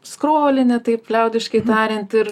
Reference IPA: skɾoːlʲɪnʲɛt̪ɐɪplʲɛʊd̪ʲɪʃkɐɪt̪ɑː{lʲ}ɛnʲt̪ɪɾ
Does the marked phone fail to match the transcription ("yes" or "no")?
yes